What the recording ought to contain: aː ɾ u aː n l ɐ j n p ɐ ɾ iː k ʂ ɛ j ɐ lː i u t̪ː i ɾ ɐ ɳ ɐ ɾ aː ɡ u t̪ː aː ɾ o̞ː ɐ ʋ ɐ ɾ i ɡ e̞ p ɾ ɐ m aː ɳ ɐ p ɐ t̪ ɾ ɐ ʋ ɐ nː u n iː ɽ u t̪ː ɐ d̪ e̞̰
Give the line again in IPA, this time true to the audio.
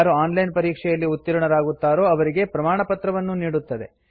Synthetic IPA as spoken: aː ɾ u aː n l ɐ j n p ɐ ɾ iː k ʂ ɛ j ɐ lː i u t̪ː i ɾ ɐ ɳ ɐ ɾ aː ɡ u t̪ː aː ɾ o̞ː ɐ ʋ ɐ ɾ i ɡ e̞ p ɾ ɐ m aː ɳ ɐ p ɐ t̪ ɾ ɐ ʋ ɐ nː u n iː ɽ u t̪ː ɐ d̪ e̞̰